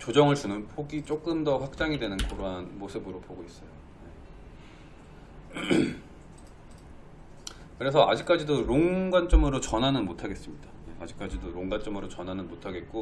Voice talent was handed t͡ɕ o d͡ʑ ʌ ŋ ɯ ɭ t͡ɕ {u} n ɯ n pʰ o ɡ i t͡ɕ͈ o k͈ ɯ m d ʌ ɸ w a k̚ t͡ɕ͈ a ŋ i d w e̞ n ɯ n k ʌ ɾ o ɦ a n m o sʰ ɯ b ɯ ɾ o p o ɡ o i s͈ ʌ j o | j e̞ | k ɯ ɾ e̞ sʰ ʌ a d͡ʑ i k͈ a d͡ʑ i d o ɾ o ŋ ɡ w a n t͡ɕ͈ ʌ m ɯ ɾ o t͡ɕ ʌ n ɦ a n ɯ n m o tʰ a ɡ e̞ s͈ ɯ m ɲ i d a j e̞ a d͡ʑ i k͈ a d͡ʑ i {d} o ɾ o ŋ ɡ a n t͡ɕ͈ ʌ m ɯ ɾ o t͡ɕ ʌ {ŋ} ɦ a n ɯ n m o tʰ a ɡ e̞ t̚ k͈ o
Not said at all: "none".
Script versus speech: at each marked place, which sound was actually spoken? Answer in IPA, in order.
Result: u, d, n

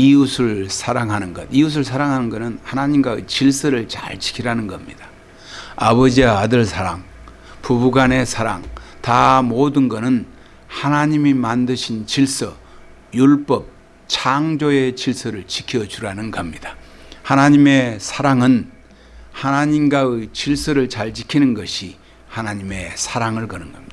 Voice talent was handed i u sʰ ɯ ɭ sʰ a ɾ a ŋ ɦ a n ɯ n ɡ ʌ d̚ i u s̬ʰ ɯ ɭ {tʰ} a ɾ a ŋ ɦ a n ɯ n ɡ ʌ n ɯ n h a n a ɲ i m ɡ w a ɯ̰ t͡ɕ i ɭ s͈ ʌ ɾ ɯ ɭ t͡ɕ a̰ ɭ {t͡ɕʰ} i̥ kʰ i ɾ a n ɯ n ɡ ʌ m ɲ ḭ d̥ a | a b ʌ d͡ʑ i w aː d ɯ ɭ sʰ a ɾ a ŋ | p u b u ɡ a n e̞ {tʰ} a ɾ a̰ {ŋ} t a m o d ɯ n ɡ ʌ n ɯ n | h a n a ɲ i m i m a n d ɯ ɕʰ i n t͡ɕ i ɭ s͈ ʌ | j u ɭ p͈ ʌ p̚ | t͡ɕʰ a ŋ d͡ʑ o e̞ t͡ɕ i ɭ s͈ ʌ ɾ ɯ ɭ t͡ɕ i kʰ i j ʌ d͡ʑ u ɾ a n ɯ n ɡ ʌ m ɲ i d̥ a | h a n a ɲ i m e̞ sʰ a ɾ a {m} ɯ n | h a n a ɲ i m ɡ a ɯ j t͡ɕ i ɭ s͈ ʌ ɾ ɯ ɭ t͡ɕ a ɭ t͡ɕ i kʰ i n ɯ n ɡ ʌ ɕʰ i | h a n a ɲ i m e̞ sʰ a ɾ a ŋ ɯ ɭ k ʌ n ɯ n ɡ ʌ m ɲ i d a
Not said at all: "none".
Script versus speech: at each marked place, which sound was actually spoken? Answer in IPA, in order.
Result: sʰ, t͡ɕ, sʰ, ŋ, ŋ

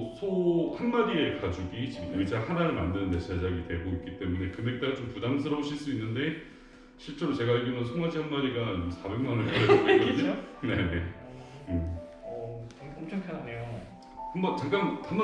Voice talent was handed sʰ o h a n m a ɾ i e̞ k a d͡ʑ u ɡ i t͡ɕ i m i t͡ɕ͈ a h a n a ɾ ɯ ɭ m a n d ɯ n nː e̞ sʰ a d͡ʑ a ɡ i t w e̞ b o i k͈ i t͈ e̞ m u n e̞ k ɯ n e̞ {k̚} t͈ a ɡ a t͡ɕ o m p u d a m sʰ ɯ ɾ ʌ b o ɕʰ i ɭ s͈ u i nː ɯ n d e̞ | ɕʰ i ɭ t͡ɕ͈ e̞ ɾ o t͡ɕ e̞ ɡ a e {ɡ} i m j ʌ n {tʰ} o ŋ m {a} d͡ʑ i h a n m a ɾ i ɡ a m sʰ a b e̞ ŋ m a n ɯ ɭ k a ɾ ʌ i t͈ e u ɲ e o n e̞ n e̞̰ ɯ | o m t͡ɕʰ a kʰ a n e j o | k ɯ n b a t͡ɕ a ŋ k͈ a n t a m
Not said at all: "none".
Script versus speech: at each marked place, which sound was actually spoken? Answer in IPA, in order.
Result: k̚, ɡ, sʰ, a

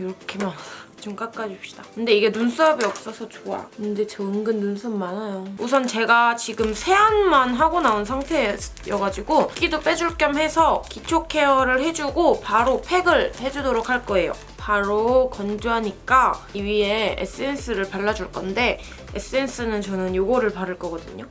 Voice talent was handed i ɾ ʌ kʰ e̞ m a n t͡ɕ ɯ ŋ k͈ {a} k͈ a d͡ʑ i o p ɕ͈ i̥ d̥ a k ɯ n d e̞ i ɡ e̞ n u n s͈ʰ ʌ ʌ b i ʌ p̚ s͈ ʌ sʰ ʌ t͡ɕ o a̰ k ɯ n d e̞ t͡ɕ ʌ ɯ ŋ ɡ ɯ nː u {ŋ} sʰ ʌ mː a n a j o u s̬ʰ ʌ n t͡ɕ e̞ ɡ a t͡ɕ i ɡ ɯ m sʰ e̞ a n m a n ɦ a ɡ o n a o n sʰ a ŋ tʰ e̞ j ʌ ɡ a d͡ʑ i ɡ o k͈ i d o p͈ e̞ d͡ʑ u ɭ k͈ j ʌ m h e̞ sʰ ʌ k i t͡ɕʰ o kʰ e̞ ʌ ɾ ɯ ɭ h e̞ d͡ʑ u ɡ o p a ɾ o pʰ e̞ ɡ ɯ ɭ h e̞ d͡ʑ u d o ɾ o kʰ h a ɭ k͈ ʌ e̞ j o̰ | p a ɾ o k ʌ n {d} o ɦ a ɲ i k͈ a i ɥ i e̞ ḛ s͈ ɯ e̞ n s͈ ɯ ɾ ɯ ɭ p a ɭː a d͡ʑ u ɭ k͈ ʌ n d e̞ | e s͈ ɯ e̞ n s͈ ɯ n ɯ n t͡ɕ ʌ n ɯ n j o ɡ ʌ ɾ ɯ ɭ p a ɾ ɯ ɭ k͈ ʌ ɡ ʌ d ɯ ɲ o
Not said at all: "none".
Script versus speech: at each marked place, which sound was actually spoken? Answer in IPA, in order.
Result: a, n, d͡ʑ

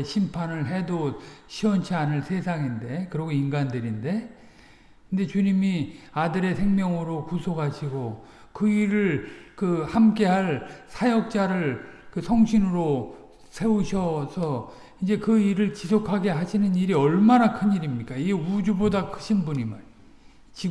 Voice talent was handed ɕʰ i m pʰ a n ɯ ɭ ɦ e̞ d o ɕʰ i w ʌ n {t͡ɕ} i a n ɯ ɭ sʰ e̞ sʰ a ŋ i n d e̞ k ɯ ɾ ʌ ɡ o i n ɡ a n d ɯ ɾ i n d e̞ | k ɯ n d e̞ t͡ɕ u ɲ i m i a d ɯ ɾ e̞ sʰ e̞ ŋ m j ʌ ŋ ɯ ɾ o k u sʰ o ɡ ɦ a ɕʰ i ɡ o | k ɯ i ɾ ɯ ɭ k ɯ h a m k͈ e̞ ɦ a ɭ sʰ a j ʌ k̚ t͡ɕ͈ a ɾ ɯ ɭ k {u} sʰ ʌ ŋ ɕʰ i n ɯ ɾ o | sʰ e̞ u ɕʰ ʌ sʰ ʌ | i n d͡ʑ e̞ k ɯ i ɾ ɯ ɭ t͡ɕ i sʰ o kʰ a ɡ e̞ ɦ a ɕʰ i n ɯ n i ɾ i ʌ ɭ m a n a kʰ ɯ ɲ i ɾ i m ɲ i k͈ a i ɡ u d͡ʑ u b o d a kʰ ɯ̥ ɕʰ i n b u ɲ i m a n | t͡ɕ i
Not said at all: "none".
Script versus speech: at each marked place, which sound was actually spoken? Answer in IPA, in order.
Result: t͡ɕʰ, ɯ

